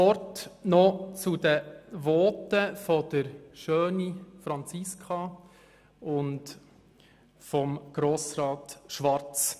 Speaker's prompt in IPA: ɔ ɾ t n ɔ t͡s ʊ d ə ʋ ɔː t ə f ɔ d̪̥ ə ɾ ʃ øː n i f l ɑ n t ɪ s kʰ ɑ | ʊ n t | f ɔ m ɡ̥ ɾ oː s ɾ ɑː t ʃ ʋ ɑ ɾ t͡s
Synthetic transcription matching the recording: ɔ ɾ t n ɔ t͡s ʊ d ə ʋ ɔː t ə f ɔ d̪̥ ə ɾ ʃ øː n i f ɾ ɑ n t͡s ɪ s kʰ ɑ | ʊ n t | f ɔ m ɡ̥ ɾ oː s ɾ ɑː t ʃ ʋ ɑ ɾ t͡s